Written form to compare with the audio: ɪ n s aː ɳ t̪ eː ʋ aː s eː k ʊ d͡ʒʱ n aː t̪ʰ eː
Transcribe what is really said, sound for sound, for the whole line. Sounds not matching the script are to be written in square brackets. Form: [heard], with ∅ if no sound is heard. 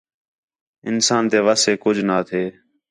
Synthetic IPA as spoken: ɪ n s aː [n] t̪ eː ʋ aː s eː k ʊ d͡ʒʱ n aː t̪ʰ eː